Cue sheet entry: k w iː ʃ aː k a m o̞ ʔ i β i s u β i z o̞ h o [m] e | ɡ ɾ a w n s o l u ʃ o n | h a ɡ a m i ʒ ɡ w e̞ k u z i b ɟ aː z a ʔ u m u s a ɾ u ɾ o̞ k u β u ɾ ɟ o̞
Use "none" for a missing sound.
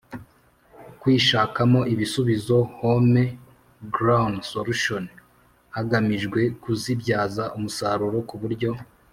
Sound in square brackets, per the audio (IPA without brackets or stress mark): m